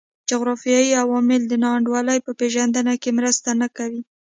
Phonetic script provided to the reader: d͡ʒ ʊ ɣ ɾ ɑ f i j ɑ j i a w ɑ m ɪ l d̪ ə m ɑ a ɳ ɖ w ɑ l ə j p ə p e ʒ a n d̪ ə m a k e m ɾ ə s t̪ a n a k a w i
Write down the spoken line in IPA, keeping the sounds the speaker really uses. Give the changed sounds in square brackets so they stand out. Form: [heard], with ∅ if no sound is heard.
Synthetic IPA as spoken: d͡ʒ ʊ ɣ ɾ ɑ f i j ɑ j i a w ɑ m ɪ l d̪ ə [n] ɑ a ɳ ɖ w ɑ l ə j p ə p e ʒ a n d̪ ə [n] a k e m ɾ ə s t̪ a n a k a w i